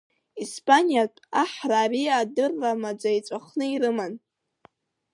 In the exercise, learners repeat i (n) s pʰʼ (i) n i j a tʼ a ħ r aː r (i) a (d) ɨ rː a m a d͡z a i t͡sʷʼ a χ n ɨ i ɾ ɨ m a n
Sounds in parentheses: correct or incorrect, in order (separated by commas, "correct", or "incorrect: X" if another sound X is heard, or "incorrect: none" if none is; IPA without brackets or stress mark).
incorrect: none, incorrect: a, correct, correct